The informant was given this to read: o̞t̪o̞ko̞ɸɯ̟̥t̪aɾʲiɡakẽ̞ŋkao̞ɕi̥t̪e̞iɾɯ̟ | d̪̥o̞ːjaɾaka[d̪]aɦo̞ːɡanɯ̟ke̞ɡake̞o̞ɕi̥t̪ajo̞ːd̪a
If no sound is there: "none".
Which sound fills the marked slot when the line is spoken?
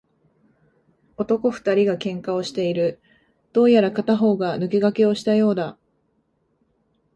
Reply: t̪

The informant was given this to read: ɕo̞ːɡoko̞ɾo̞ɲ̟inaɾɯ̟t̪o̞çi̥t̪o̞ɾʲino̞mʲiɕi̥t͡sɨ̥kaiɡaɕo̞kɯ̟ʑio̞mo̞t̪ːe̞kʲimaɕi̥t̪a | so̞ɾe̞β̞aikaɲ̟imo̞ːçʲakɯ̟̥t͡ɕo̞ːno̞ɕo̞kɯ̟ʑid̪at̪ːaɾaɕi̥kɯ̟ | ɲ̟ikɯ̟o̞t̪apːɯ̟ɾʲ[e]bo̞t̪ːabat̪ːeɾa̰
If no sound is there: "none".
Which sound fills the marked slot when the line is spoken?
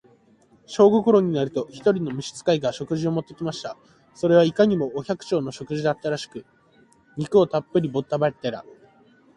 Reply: i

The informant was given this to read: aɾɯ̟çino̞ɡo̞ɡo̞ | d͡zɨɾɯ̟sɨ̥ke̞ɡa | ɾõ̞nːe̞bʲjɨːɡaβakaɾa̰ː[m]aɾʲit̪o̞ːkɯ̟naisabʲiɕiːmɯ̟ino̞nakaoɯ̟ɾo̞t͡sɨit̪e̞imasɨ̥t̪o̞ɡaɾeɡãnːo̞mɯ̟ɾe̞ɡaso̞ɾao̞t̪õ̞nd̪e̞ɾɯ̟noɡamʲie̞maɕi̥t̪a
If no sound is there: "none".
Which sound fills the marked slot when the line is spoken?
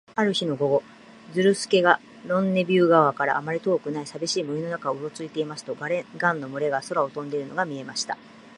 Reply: m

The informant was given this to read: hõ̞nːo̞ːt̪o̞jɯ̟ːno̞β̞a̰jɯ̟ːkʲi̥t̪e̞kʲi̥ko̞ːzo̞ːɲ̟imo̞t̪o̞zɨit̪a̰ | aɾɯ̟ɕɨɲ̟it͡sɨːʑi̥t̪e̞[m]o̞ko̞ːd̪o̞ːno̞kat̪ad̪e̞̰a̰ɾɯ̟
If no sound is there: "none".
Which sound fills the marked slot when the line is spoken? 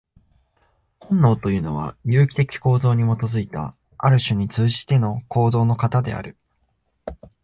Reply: n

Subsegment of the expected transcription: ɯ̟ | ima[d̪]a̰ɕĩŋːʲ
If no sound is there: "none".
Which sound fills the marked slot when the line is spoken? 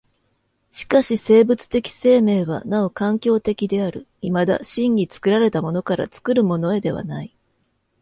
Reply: d̪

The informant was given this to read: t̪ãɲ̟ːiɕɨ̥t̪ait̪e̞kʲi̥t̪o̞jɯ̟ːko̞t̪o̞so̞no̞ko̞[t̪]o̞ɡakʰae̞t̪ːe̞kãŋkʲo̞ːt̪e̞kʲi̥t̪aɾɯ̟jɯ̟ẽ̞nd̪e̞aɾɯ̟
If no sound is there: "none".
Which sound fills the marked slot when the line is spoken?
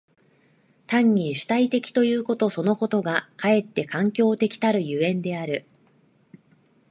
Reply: t̪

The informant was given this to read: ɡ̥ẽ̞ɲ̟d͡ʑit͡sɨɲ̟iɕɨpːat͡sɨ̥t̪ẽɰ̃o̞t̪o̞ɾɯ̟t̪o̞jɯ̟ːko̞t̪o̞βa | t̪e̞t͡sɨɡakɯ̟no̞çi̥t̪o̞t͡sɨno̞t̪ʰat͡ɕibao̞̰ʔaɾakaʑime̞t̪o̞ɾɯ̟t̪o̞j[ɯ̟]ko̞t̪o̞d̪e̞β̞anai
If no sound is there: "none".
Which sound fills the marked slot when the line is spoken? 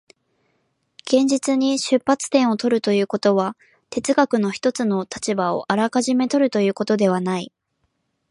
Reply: ɯ̟ː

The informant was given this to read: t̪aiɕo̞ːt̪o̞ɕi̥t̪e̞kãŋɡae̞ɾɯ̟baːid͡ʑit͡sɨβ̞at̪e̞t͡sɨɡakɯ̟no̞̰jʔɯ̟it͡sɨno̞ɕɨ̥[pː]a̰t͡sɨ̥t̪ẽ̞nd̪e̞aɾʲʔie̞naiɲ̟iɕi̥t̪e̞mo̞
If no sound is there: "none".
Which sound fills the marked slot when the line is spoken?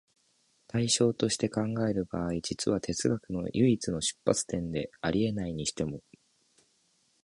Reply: pː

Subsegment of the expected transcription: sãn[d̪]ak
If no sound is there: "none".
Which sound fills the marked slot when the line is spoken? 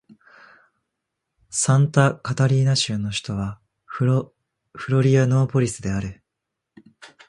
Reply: t̪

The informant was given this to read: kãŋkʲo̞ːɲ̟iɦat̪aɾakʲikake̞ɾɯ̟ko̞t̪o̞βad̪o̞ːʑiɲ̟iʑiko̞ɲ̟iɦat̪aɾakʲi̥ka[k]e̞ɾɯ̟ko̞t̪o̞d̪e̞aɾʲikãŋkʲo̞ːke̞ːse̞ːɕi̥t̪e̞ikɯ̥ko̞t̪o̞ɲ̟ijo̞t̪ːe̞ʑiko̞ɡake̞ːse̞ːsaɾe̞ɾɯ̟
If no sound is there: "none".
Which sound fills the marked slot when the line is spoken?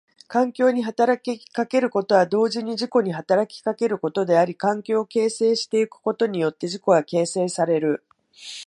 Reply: k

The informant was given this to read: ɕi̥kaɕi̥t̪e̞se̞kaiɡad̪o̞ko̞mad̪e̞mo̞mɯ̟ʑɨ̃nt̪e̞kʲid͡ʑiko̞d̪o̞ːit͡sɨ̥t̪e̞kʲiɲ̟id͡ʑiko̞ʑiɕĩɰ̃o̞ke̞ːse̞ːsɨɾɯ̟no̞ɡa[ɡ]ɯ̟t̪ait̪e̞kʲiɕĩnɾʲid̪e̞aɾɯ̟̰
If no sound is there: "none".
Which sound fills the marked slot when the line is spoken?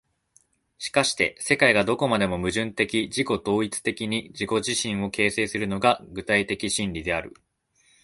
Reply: ɡ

